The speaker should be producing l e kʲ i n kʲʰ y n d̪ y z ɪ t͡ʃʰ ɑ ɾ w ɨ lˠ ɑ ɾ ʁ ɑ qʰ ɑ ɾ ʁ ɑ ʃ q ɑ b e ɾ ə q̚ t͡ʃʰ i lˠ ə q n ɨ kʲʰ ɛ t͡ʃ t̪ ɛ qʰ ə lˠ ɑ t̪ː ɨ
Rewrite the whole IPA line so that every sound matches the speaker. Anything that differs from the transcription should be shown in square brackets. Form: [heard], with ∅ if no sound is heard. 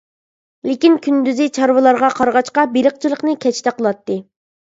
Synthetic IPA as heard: l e kʲ i n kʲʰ y n d̪ y z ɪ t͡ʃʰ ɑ ɾ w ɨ lˠ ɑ ɾ ʁ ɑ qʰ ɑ ɾ ʁ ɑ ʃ q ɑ b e ɾ ə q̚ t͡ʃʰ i lˠ ə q n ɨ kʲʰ ɛ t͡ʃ t̪ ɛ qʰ ə lˠ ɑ t̪ː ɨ